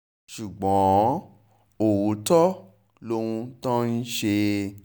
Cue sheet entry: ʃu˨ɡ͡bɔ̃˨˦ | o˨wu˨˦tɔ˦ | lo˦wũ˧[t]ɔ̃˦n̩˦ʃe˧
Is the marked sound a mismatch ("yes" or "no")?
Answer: no